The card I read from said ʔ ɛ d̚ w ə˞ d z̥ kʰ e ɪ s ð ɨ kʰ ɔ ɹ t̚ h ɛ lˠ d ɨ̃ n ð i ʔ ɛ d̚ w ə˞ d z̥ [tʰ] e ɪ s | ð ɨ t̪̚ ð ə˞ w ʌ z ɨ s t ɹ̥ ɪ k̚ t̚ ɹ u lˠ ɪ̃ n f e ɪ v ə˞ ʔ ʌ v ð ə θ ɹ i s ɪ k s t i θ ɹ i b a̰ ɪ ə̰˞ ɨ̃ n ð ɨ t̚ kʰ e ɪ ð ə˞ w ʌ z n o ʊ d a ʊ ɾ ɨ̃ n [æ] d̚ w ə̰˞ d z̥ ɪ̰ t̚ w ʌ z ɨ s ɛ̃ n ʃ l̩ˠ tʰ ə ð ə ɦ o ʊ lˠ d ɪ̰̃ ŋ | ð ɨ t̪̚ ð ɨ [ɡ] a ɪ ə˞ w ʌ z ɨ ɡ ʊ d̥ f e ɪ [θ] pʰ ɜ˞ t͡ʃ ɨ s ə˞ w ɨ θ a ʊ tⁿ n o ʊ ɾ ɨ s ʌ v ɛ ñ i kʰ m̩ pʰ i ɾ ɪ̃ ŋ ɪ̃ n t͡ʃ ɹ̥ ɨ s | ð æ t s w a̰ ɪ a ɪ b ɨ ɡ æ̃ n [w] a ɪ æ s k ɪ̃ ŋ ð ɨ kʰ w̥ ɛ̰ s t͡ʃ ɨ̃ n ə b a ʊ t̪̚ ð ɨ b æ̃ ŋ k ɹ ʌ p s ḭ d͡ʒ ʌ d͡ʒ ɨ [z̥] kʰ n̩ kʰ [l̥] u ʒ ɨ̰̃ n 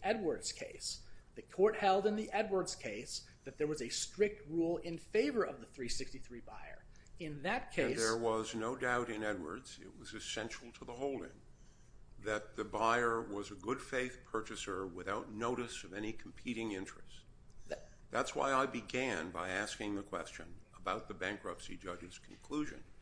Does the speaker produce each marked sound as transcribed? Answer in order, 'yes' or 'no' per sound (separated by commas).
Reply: no, no, no, yes, no, yes, yes